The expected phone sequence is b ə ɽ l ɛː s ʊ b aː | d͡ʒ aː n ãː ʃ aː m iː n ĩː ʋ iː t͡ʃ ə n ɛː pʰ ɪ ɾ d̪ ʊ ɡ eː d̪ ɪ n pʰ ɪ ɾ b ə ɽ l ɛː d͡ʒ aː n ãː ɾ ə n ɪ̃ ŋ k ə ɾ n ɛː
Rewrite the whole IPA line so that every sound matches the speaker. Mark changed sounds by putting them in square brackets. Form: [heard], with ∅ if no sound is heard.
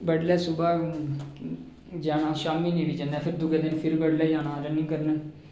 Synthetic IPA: b ə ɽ l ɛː s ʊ b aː | d͡ʒ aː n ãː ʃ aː m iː n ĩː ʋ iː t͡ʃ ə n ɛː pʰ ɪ ɾ d̪ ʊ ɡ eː d̪ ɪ n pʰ ɪ ɾ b ə ɽ l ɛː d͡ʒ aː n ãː ɾ ə n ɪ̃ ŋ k ə ɾ n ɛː